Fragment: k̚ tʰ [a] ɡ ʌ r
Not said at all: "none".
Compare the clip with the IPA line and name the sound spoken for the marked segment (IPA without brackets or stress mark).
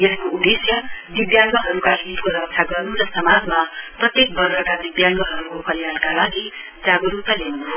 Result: a